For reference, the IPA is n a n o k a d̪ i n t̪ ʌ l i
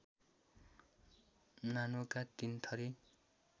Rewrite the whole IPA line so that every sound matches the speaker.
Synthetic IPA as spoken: n a n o k a t̪ i n t̪ʰ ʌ ɾ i